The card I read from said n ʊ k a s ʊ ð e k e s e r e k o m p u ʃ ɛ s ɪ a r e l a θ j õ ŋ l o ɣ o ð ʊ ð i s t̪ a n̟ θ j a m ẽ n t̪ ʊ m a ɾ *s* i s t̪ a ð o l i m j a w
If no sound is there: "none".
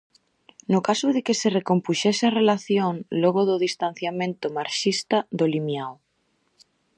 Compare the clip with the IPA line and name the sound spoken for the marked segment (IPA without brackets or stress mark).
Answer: ʃ